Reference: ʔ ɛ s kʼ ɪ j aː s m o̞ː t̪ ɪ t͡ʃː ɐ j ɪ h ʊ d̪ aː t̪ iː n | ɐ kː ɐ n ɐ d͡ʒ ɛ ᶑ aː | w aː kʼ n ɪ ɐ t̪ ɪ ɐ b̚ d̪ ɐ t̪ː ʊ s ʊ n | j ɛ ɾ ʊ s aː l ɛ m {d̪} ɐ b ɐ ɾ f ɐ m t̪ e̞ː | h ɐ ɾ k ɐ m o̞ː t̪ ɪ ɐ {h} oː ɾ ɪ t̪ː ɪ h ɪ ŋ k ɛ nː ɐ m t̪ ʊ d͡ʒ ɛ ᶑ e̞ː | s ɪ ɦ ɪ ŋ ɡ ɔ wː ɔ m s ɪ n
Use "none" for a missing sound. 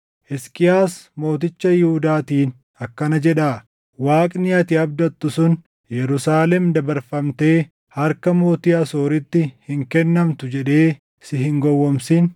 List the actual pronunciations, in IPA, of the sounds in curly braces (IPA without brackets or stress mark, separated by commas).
d̪, s